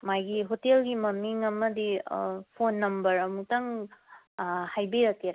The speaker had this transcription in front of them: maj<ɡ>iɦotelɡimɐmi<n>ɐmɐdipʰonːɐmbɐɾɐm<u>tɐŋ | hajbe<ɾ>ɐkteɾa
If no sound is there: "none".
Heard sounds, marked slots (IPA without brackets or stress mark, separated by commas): ɡ, ŋ, u, ɾ